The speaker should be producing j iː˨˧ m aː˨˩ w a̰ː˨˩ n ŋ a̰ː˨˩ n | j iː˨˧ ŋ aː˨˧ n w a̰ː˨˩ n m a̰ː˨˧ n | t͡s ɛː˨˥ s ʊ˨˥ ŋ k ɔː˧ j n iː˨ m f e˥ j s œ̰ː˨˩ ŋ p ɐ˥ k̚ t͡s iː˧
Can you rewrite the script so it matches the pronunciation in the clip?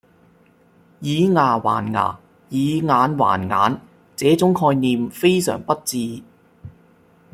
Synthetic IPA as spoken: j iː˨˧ ŋ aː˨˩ w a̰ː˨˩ n ŋ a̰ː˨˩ | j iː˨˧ ŋ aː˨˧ n w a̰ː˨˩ n ŋ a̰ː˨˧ n | t͡s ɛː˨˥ t͡s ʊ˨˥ ŋ kʰ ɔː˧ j n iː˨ m f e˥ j s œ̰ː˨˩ ŋ p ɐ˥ t̚ t͡s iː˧